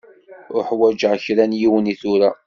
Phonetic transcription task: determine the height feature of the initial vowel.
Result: high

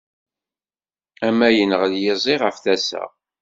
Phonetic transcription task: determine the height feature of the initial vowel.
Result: low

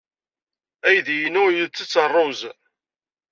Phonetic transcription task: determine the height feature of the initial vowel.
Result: low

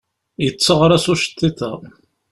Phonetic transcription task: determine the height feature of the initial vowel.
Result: mid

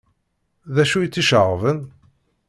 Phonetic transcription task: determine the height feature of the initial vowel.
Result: low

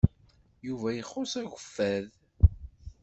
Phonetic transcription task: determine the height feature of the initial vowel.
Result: high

